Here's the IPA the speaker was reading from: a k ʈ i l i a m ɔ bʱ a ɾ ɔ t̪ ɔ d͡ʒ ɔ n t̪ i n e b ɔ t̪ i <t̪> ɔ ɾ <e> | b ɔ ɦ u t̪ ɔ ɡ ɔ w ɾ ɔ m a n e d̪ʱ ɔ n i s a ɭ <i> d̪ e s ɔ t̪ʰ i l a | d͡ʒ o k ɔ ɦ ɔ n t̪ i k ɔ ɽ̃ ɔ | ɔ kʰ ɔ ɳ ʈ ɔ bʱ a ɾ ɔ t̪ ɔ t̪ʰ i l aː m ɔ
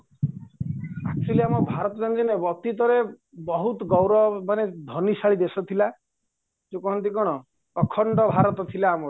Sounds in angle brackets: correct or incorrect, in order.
correct, correct, correct

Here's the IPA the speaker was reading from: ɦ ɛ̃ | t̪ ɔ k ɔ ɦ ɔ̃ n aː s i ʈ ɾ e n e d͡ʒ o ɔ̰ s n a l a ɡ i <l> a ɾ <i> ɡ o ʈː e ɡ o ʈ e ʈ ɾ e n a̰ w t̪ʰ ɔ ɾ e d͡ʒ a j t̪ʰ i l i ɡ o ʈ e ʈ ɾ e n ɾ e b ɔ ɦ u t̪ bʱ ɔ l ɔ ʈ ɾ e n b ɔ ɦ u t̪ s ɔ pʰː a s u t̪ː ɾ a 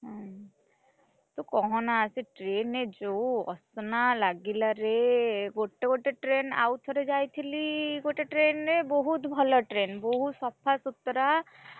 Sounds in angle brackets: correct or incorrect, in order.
correct, incorrect

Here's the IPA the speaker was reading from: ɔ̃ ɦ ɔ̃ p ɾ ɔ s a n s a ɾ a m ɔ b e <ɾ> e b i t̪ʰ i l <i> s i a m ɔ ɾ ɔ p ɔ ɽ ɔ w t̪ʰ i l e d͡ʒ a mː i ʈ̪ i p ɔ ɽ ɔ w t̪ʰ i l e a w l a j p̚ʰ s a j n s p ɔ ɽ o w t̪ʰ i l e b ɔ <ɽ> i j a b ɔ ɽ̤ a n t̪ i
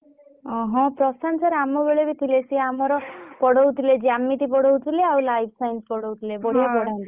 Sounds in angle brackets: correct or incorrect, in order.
incorrect, incorrect, correct

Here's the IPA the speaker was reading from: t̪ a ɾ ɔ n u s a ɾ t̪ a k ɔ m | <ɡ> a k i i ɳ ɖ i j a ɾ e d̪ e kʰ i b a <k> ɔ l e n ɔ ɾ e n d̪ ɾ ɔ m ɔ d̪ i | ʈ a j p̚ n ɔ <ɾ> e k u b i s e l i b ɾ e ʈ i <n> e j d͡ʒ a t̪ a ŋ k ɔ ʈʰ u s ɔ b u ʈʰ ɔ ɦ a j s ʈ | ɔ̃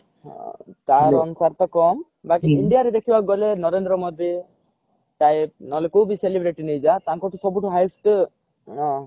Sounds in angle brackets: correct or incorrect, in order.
incorrect, incorrect, incorrect, correct

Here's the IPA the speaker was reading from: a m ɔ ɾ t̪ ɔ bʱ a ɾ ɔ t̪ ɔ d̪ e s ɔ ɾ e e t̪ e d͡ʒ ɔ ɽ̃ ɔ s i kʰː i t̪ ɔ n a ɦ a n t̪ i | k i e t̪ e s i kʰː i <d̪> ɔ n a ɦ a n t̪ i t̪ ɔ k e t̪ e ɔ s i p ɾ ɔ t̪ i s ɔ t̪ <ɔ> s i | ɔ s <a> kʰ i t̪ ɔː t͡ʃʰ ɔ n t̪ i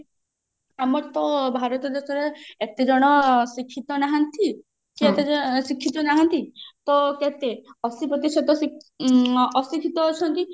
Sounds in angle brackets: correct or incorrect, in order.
incorrect, correct, incorrect

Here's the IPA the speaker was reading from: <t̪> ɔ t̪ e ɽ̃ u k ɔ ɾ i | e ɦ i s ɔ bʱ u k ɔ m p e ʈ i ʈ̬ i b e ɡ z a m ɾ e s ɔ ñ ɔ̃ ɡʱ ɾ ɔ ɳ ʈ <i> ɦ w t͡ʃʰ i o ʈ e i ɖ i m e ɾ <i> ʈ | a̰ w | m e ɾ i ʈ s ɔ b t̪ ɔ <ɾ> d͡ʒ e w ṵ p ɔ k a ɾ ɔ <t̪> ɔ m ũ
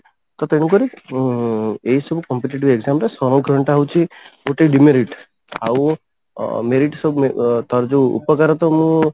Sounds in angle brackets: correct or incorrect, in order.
correct, incorrect, correct, correct, correct

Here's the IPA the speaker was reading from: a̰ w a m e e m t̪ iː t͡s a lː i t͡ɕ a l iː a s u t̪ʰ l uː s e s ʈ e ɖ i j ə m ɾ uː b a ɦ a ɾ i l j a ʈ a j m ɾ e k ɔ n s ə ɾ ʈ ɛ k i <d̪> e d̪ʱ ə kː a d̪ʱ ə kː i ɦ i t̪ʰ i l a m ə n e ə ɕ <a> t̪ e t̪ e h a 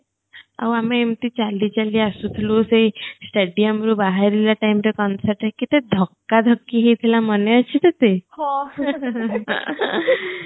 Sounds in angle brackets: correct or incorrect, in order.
incorrect, incorrect

